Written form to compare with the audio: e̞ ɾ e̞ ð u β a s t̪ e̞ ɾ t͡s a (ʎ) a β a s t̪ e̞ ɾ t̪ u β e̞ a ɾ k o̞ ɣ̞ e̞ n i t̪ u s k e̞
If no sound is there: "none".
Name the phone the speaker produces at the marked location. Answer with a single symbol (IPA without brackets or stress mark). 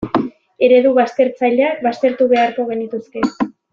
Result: ʎ